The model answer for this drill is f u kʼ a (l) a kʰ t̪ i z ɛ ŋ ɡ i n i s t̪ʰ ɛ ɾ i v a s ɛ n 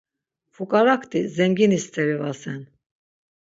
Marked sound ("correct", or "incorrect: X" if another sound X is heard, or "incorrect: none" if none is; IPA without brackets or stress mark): incorrect: ɾ